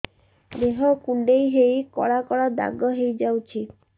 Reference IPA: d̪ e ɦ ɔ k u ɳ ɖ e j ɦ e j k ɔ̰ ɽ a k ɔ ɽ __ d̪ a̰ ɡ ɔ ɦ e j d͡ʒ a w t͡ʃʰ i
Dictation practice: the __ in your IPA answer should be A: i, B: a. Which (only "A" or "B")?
B